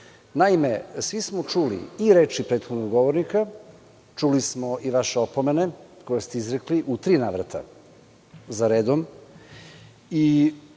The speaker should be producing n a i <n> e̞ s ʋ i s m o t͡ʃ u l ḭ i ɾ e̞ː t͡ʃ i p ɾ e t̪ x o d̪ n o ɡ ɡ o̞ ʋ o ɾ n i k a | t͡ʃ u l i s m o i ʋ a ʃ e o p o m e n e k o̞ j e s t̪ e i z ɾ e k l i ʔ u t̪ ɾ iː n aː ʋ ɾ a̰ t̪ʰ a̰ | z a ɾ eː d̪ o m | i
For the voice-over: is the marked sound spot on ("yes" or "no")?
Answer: no